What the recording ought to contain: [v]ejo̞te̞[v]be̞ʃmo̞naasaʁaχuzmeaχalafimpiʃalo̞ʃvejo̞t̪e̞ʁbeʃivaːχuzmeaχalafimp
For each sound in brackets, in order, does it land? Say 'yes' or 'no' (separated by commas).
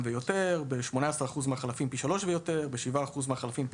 yes, no